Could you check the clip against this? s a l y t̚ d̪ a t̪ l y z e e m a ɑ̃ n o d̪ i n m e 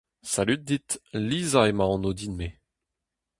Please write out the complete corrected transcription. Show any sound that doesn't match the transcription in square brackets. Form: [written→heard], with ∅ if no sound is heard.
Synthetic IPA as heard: s a l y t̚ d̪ [a→i] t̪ l [y→i] z [e→a] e m a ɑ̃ n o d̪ i n m e